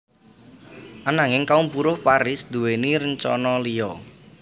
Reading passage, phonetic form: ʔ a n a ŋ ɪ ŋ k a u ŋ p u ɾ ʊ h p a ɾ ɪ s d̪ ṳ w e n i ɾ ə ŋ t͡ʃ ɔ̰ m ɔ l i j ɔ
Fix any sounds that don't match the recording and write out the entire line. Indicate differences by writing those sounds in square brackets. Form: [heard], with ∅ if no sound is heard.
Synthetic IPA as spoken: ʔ a n a ŋ ɪ ŋ k a u [m] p u ɾ ʊ h p a ɾ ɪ s d̪ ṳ w e n i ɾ ə [ɲ] t͡ʃ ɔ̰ [n] ɔ l i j ɔ